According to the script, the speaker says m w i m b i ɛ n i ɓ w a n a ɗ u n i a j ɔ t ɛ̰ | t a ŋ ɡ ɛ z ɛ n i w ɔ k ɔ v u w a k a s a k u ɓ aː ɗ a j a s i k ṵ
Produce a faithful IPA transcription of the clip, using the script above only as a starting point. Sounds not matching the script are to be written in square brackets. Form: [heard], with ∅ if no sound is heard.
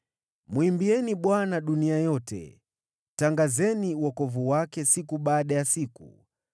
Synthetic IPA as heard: m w i m b i ɛ n i ɓ w a n a ɗ u n i a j ɔ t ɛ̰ | t a ŋ ɡ [a] z ɛ n i w ɔ k ɔ v u w a k [ɛ] s [i] k u ɓ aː ɗ a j a s i k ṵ